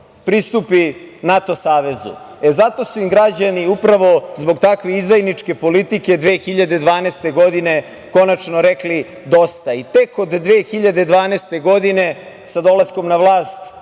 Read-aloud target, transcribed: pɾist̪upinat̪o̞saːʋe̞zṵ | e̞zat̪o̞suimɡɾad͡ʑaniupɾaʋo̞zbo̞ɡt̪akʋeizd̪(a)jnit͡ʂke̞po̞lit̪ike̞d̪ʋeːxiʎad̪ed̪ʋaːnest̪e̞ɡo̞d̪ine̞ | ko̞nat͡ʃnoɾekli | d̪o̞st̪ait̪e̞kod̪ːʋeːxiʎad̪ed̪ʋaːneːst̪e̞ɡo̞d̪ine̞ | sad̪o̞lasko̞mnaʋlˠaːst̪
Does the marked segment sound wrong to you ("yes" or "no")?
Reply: no